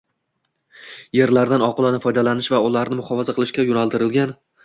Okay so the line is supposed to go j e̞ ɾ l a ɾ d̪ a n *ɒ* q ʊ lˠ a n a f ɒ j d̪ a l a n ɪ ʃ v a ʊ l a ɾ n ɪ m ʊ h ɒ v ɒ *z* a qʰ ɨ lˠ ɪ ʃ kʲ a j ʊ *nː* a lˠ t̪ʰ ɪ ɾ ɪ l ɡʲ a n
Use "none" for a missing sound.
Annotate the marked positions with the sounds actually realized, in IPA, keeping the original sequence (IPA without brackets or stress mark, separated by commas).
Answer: ɒ, z, n